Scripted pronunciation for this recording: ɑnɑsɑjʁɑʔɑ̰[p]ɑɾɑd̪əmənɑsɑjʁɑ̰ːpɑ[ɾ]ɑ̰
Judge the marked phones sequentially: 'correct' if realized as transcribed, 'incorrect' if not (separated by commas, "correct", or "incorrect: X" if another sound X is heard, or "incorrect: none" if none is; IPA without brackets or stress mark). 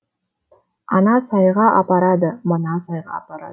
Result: correct, correct